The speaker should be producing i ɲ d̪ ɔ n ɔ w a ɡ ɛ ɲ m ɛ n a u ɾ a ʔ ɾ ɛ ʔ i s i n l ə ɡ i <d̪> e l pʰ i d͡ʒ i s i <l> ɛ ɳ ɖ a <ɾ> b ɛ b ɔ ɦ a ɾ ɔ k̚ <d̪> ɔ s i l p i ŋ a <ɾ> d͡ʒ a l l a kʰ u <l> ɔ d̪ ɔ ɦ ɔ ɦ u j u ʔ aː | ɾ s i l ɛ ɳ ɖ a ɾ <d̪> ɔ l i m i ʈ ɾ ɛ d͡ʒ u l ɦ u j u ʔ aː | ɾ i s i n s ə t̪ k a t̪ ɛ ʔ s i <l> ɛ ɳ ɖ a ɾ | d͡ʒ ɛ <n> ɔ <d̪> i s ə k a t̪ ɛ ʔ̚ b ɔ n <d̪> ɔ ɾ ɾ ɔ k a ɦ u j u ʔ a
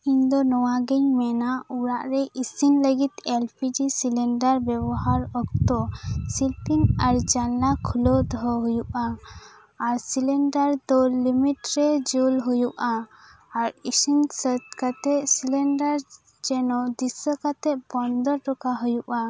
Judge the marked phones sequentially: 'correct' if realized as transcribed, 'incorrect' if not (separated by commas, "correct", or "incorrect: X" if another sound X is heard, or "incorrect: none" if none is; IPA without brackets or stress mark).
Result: incorrect: t̪, correct, correct, incorrect: t̪, correct, correct, correct, correct, correct, correct, correct